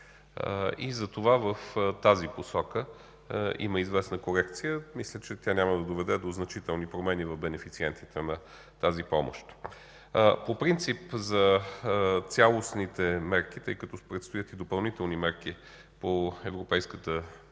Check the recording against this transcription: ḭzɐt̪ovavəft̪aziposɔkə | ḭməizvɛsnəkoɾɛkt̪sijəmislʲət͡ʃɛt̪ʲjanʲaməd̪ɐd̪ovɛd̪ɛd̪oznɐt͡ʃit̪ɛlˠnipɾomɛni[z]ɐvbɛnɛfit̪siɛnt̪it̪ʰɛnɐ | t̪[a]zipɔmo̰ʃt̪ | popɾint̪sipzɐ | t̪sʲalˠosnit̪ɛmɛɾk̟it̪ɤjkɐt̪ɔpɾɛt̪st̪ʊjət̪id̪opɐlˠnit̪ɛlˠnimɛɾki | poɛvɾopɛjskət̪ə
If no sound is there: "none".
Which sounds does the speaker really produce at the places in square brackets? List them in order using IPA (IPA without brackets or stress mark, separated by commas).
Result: v, a